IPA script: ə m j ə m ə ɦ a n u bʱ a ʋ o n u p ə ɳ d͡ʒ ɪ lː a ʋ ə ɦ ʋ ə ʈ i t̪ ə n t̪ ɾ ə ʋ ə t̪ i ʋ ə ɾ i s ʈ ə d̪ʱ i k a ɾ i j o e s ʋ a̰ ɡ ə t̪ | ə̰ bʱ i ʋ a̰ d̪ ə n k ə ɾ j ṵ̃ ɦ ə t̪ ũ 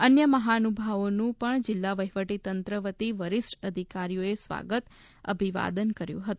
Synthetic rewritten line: ə n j ə m ə ɦ a n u bʱ a ʋ o n ũ p ə ɳ d͡ʒ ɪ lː a ʋ ə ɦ ʋ ə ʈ i t̪ ə n t̪ ɾ ə ʋ ə t̪ i ʋ ə ɾ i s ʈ ə d̪ʱ i k a ɾ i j o e s ʋ a̰ ɡ ə t̪ | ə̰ bʱ i ʋ a̰ d̪ ə n k ə ɾ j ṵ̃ ɦ ə t̪ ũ